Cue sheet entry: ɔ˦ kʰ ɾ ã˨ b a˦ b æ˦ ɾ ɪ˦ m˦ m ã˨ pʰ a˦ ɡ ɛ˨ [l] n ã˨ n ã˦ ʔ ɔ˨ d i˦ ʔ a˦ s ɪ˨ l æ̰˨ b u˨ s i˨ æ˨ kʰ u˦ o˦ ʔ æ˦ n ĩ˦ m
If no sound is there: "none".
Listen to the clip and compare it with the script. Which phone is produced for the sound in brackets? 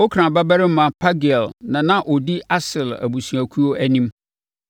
l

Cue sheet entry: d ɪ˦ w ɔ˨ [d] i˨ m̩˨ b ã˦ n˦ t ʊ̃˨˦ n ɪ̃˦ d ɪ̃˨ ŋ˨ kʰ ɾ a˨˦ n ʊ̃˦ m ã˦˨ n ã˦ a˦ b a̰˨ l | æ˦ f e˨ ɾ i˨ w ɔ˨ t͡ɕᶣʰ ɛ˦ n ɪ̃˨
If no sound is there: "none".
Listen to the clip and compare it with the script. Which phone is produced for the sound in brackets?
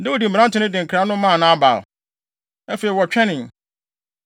d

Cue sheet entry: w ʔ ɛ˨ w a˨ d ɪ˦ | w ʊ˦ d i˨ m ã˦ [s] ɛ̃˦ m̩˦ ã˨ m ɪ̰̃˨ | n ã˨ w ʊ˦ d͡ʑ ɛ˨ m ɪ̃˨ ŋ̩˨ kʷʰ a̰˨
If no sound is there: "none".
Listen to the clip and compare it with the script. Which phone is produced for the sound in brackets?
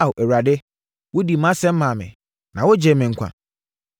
s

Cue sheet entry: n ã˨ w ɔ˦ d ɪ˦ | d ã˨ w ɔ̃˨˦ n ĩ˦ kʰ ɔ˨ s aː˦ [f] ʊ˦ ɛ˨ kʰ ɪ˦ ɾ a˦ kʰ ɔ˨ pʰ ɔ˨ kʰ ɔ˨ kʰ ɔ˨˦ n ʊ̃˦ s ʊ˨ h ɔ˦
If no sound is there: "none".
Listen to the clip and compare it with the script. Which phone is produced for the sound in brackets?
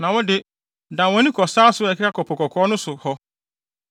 s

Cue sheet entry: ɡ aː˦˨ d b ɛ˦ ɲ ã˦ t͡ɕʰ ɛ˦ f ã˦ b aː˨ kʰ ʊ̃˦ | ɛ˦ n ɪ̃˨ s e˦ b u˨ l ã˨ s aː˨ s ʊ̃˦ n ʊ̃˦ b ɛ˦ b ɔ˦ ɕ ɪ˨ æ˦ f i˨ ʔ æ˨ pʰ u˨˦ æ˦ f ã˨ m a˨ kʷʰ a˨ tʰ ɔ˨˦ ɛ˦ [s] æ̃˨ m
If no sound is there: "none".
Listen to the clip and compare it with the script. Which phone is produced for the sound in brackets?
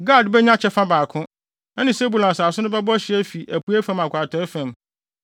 f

